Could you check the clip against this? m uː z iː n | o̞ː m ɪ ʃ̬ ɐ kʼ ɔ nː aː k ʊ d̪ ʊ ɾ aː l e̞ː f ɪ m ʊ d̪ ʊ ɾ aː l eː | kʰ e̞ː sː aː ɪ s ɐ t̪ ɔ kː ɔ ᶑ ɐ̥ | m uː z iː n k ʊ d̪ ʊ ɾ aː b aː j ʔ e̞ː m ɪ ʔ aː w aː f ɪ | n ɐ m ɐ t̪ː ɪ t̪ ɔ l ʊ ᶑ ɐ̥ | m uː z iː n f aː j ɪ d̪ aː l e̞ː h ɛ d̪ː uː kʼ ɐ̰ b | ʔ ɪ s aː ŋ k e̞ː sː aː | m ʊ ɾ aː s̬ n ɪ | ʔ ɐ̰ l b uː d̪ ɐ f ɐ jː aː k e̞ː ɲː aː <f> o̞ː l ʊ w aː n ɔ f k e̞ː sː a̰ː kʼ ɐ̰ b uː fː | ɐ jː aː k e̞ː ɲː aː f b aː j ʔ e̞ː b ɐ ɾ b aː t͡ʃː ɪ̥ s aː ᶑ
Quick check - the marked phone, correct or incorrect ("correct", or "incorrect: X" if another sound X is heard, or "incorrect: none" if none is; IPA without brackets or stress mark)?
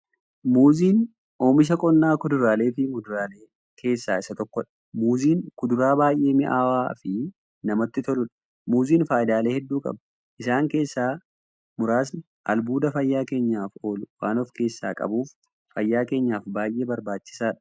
correct